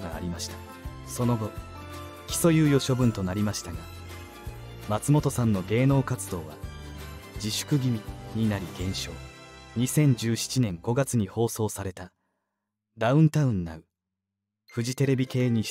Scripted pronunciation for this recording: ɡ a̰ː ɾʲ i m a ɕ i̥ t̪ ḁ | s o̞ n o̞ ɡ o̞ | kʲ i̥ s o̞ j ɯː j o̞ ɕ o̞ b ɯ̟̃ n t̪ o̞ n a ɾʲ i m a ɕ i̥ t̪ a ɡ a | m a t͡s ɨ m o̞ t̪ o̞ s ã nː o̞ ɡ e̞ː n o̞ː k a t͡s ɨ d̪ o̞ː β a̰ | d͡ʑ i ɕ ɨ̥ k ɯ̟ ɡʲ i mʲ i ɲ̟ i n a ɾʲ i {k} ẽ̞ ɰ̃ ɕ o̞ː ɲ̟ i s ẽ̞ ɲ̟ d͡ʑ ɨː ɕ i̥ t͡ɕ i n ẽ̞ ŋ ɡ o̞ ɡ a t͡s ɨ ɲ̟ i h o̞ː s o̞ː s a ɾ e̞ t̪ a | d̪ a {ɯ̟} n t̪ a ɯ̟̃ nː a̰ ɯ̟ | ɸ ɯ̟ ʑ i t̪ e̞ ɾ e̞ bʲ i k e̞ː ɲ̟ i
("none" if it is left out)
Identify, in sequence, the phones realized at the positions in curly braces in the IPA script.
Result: ɡ, ɯ̟̃

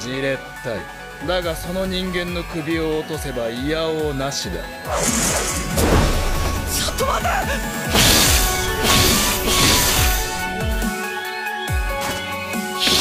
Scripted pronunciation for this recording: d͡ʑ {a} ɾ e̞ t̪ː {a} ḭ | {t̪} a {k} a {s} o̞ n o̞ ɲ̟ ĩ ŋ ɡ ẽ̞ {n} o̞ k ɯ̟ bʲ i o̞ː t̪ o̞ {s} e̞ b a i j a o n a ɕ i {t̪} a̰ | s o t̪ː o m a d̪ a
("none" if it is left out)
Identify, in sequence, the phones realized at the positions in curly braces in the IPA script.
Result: i, a, d̪, ɡ, s, nː, s, d̪

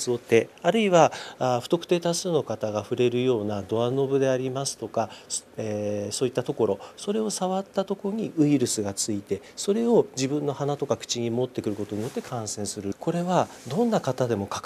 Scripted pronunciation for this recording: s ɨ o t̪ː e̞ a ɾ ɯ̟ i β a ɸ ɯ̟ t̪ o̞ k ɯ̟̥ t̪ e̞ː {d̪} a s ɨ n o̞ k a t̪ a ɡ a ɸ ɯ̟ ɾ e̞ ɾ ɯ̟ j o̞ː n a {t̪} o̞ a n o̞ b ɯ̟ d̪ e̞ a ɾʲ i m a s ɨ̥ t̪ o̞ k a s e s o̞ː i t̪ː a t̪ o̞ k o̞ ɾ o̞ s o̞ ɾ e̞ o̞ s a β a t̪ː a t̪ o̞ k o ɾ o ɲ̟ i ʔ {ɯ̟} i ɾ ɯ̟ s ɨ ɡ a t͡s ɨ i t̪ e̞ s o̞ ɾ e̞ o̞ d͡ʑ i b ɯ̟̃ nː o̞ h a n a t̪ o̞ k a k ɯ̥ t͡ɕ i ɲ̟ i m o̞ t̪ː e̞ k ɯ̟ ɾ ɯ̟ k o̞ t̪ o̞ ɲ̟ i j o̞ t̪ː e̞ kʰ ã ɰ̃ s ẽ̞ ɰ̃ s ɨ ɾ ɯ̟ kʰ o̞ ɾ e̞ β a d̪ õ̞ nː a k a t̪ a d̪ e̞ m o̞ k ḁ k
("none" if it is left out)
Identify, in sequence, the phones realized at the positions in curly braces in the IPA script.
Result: t̪, d̪, ɯ̟

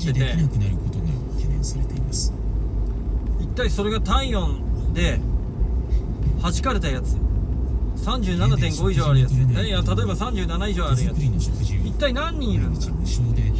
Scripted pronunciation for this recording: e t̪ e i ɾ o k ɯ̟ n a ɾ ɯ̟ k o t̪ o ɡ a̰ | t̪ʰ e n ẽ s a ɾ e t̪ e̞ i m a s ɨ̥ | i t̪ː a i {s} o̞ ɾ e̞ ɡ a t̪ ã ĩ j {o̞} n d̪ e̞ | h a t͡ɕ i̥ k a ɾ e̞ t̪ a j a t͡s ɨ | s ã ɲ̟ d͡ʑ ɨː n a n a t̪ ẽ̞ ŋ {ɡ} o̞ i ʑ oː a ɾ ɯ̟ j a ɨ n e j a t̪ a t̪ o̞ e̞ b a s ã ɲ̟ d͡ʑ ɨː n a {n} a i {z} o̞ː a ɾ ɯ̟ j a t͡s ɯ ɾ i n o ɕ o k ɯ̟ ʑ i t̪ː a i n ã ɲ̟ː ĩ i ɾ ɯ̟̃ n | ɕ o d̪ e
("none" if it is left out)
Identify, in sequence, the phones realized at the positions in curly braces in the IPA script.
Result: s, õ̞, ɡ, n, ʑ

